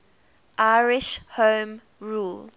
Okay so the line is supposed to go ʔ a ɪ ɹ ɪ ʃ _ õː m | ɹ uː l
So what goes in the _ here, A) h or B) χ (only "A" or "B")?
A